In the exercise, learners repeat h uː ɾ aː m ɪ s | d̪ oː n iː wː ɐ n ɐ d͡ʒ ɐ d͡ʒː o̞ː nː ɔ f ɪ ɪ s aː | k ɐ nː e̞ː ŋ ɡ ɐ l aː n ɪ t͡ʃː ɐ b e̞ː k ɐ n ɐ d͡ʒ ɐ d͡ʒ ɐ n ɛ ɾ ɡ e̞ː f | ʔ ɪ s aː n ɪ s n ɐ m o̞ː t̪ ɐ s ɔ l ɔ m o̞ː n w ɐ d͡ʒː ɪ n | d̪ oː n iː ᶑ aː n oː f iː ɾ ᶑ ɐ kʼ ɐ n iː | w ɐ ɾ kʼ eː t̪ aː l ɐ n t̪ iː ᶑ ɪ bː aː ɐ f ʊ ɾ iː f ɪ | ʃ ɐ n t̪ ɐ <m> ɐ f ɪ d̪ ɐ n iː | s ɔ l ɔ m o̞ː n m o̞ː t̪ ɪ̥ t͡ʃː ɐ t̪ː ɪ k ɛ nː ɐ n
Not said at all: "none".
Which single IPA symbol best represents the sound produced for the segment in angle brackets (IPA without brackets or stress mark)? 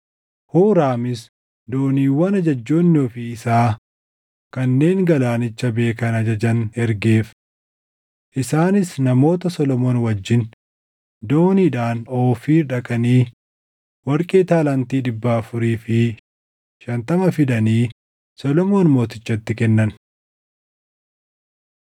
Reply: m